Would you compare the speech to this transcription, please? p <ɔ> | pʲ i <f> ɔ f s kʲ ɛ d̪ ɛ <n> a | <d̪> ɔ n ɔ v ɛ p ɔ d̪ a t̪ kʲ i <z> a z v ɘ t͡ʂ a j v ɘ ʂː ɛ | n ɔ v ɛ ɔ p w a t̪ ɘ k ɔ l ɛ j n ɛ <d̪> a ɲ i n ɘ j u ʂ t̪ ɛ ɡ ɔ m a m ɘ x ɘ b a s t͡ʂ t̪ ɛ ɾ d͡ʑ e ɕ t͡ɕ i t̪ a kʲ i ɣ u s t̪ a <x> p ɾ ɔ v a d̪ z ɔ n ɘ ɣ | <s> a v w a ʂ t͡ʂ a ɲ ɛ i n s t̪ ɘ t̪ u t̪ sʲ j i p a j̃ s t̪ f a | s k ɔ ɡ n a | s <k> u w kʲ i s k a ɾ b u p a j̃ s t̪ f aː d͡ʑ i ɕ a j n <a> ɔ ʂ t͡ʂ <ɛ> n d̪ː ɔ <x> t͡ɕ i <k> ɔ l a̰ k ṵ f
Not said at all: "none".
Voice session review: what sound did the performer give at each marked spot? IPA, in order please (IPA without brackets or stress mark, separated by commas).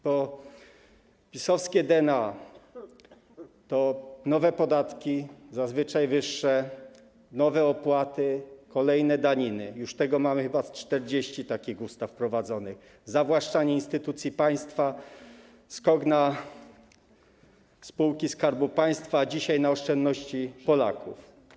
ɔ, s, n, t̪, z, d̪, f, z, p, a, ɛ, ɕ, p